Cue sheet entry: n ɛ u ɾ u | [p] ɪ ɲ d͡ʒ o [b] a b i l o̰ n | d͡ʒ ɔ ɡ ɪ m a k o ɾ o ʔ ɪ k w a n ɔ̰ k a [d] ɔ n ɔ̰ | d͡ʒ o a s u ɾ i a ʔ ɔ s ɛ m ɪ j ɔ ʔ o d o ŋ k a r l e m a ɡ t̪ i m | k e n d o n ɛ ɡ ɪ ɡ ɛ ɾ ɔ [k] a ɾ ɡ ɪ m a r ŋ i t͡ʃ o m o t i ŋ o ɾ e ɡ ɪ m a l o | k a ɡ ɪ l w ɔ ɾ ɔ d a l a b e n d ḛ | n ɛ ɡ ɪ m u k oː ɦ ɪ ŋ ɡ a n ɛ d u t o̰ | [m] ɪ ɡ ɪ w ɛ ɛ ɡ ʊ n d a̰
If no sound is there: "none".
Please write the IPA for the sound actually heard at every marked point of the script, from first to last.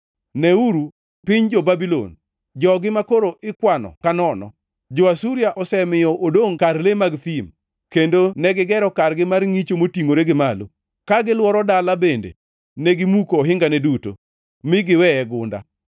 p, b, n, k, m

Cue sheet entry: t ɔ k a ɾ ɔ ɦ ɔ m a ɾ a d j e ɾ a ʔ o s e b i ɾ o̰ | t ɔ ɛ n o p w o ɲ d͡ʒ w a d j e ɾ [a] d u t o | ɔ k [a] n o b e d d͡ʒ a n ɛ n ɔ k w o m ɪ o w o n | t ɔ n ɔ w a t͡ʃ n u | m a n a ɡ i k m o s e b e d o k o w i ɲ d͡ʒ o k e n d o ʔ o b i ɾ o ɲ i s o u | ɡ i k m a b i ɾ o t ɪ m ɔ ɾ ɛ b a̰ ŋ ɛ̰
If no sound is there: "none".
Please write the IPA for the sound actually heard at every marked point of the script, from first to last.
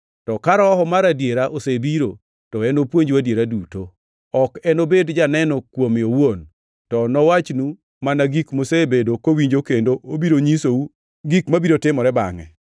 a, ɛ

